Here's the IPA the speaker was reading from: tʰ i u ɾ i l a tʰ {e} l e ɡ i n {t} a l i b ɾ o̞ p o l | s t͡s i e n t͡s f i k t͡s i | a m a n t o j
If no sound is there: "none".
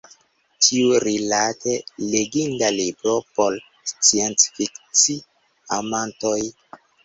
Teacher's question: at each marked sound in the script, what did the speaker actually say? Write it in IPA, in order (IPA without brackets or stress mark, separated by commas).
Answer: e, d